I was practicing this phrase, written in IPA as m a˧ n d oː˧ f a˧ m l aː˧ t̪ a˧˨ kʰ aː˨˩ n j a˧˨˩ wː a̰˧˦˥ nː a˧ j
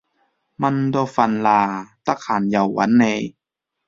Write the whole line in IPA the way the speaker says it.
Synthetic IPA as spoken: m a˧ n d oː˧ f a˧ n l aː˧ t̪ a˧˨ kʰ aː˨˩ n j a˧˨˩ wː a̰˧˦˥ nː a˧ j